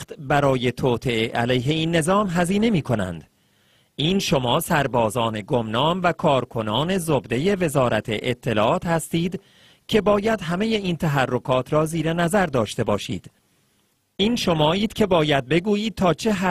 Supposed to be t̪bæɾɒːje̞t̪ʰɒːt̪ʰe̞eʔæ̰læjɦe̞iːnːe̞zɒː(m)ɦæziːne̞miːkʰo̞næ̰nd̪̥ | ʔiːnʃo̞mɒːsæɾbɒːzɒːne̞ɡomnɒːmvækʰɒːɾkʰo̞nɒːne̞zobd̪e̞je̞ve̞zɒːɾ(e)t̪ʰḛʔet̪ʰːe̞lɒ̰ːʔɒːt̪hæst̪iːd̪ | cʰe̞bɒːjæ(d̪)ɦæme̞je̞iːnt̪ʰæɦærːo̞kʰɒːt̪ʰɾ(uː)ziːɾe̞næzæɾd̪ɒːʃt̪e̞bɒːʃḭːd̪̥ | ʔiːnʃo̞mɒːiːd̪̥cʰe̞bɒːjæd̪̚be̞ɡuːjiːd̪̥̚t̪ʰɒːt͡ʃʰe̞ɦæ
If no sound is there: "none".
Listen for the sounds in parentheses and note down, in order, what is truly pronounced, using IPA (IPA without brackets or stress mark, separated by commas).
m, æ, d̪, ɒː